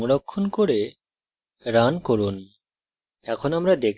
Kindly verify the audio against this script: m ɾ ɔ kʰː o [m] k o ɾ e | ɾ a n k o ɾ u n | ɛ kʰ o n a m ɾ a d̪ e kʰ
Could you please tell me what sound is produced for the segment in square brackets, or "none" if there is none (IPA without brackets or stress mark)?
n